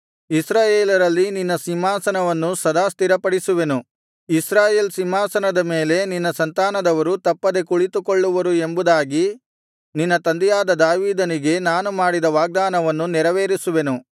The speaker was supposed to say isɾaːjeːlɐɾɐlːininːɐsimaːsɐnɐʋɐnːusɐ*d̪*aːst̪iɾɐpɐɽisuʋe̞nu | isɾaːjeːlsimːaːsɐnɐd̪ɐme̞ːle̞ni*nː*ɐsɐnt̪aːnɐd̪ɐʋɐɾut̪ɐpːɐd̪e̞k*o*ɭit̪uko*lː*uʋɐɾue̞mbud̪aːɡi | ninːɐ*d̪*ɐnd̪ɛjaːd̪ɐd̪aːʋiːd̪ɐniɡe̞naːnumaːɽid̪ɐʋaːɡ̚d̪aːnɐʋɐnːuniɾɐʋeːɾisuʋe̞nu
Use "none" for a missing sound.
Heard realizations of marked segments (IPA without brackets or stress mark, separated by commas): d̪, nː, u, ɭː, t̪